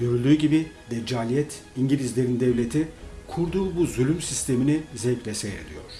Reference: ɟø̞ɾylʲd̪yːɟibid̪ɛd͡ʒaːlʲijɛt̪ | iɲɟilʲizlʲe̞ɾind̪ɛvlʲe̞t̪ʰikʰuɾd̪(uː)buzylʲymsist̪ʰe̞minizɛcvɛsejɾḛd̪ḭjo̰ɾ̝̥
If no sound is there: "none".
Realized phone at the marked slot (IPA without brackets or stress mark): uː